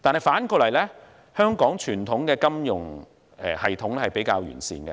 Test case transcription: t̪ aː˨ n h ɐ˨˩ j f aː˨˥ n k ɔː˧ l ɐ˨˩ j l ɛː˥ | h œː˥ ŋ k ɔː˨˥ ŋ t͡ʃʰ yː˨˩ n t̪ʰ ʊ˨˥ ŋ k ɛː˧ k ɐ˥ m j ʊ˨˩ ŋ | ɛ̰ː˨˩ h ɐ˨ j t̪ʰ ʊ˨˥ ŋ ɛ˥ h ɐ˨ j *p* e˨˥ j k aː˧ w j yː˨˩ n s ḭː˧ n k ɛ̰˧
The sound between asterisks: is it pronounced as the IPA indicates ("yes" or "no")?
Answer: yes